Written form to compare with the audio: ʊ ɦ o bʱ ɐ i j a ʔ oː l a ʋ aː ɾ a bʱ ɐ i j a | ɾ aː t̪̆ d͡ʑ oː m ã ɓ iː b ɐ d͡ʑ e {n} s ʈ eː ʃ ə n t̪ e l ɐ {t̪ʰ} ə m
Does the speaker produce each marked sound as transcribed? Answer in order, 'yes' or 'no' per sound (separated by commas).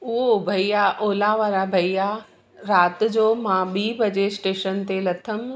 no, yes